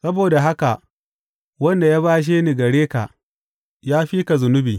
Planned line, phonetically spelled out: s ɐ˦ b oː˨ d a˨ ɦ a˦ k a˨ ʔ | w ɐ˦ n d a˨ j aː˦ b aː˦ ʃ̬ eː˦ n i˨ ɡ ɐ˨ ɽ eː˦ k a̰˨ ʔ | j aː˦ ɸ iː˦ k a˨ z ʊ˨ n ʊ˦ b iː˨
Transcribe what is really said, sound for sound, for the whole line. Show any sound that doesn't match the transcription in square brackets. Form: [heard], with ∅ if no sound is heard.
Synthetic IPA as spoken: s ɐ˦ b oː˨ d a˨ ɦ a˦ k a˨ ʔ | w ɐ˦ n d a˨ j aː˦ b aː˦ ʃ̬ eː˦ n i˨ ɡ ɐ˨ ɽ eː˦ k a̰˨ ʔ | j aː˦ ɸ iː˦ k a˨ z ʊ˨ n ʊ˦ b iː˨